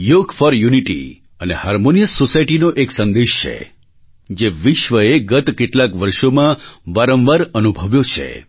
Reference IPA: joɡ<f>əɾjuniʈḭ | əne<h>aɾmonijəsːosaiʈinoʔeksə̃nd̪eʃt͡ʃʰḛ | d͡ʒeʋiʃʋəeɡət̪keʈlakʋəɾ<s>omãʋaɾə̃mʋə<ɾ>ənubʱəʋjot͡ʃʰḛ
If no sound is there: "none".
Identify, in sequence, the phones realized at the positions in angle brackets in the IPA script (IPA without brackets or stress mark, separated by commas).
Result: f, h, ʃ, ɾ